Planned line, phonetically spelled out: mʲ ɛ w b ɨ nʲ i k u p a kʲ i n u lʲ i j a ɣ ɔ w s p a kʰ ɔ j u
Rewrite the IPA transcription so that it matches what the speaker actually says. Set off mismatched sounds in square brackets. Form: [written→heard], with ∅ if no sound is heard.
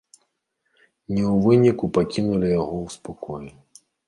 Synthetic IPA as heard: [mʲ→nʲ] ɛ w [b→v] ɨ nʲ i k u p a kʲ i n u lʲ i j a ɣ ɔ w s p a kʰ ɔ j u